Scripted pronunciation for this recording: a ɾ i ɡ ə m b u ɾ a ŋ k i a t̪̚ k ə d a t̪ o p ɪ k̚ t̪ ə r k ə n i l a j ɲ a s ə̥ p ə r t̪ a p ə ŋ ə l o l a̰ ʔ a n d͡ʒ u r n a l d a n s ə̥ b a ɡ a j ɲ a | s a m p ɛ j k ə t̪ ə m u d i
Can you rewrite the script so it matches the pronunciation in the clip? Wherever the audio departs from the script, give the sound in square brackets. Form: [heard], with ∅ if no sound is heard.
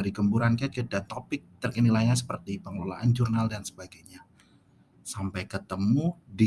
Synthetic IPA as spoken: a ɾ i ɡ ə m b u ɾ a [n] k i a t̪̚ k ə d a t̪ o p ɪ k̚ t̪ ə r k ə n i l a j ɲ a s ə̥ p ə r t̪ [i] p ə ŋ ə l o l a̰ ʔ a n d͡ʒ u r n a l d a n s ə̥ b a ɡ a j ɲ a | s a m p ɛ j k ə t̪ ə m u d i

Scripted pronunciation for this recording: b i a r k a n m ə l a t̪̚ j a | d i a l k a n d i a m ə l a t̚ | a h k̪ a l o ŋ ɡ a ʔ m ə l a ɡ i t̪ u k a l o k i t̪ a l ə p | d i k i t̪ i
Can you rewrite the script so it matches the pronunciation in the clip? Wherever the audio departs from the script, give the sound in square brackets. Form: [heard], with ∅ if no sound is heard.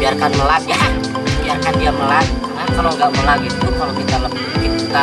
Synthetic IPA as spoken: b i a r k a n m ə l a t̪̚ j a | [b] i a [r] k a n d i a m ə l a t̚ | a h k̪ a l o ŋ ɡ a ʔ m ə l a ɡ i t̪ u k a l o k i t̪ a l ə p | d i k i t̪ [a]

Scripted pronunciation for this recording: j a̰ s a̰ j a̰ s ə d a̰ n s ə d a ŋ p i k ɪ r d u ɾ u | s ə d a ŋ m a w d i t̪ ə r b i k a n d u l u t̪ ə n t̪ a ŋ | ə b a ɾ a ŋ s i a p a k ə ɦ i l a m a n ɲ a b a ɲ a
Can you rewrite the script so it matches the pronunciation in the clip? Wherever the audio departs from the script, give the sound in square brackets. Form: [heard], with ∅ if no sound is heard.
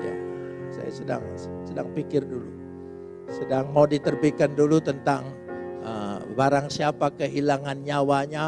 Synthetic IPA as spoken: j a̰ s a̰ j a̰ s ə d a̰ [ŋ] s ə d a ŋ p i k ɪ r d u [l] u | s ə d a ŋ m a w d i t̪ ə r b i k a n d u l u t̪ ə n t̪ a ŋ | ə b a ɾ a ŋ s i a p a k ə ɦ i l a [ŋ] a n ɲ a [w] a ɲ a

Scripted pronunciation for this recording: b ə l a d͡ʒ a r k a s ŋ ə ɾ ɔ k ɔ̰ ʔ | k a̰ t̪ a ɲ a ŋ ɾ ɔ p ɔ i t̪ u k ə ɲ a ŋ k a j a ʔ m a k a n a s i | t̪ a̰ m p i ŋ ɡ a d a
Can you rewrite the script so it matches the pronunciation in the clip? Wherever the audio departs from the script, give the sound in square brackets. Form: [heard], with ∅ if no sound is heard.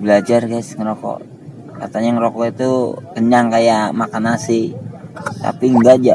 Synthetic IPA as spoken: b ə l a d͡ʒ a r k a s ŋ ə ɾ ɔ k ɔ̰ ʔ | k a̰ t̪ a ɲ a ŋ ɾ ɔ [k] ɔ i t̪ u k ə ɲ a ŋ k a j a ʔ m a k a n a s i | t̪ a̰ [∅] p i ŋ ɡ a [d͡ʒ] a

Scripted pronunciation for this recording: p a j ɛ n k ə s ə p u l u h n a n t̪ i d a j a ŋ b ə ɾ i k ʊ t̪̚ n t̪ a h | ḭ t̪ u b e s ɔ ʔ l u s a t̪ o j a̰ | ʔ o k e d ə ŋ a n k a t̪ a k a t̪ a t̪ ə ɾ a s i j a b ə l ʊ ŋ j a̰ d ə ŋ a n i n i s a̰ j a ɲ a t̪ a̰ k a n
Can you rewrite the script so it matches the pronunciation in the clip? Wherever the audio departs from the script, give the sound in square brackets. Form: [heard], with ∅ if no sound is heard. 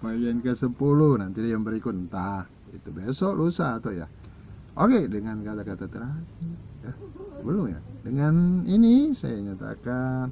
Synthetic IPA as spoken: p a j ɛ n k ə s ə p u l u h n a n t̪ i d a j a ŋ b ə ɾ i k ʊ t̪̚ n t̪ a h | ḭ t̪ u b e s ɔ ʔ l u s a t̪ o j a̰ | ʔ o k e d ə ŋ a n k a t̪ a k a t̪ a t̪ ə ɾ a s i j a b ə l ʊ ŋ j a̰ d ə ŋ a n i n i s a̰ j a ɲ a t̪ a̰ k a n

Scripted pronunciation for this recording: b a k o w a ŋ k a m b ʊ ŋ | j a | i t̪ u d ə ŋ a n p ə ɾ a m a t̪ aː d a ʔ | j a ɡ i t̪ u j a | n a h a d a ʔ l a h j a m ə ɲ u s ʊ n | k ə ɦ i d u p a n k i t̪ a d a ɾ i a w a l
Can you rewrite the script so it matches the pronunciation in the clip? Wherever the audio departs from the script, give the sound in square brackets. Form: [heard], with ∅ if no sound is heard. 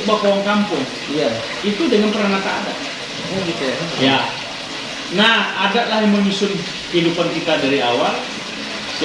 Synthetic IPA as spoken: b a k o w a ŋ k a m [p] ʊ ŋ | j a | i t̪ u d ə ŋ a n p ə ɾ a [ŋ] a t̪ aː d a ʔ | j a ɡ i t̪ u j a | n a h a d a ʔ l a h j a m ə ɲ u s ʊ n | k ə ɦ i d u p a n k i t̪ a d a ɾ i a w a l

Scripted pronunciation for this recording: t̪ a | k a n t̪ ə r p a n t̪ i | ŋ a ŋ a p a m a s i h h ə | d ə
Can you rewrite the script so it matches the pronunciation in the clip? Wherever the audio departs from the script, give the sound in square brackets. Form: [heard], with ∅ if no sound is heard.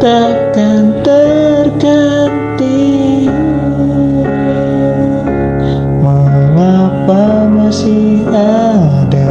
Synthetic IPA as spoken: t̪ a | k a n t̪ ə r [k] a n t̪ i | [m] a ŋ a p a m a s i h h [a] | d [a]

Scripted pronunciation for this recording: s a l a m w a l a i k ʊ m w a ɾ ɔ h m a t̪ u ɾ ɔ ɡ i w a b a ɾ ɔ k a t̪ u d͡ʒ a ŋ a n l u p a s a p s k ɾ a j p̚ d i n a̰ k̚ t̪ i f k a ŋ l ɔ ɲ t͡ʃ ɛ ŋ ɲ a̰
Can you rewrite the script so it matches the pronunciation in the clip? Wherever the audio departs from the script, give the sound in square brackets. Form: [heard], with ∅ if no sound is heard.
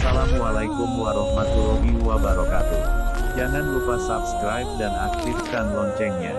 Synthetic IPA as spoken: s a l a m w a l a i k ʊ m w a ɾ ɔ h m a t̪ u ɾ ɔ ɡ i w a b a ɾ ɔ k a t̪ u d͡ʒ a ŋ a n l u p a s a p s k ɾ a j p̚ d [a] n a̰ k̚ t̪ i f k a [n] l ɔ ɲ t͡ʃ ɛ ŋ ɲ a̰

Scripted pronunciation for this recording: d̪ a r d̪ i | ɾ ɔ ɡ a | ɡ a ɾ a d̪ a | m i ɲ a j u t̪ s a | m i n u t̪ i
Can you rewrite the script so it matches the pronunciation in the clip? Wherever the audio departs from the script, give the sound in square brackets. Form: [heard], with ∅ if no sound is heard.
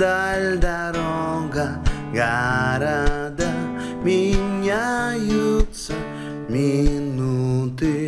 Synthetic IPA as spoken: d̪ a [l] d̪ [a] | ɾ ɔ ɡ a | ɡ a ɾ a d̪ a | m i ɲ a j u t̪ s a | m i n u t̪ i

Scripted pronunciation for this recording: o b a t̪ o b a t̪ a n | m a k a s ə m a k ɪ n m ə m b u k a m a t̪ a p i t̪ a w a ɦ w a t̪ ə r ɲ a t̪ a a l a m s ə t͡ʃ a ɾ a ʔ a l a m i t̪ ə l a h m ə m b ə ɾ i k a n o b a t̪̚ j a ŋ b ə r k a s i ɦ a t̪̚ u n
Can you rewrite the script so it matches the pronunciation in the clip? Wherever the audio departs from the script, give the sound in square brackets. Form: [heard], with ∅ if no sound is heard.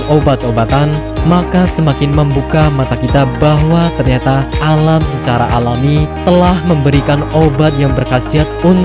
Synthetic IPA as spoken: o b a t̪ o b a t̪ a n | m a k a s ə m a k ɪ n m ə m b u k a m a t̪ a [k] i t̪ a [b] a ɦ w a t̪ ə r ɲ a t̪ a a l a m s ə t͡ʃ a ɾ a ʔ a l a m i t̪ ə l a h m ə m b ə ɾ i k a n o b a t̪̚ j a ŋ b ə r k a s i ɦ a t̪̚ u n

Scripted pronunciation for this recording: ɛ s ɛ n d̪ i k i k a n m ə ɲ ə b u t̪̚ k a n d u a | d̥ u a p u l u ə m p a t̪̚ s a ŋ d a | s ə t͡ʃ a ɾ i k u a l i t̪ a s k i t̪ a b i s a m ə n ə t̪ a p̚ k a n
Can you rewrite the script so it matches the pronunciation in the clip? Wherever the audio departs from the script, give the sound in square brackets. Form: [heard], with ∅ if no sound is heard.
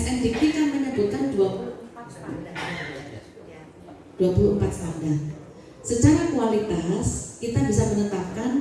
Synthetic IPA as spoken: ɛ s ɛ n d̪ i k i k a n m ə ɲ ə b u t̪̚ k a n d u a | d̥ u a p u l u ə m p a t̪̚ s a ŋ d a | s ə t͡ʃ a ɾ [a] k u a l i t̪ a s k i t̪ a b i s a m ə n ə t̪ a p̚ k a n

